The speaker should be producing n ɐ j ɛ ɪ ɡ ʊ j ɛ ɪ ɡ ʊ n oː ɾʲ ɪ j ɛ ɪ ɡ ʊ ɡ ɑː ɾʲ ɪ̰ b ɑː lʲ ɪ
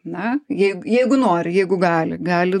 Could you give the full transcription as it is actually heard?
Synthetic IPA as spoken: n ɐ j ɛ ɪ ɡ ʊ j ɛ ɪ ɡ ʊ n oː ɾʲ ɪ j ɛ ɪ ɡ ʊ ɡ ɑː lʲ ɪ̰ ɡ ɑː lʲ ɪ